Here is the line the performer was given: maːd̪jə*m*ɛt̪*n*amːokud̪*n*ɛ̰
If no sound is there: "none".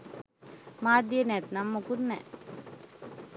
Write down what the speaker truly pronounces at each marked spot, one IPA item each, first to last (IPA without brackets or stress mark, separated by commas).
n, n, n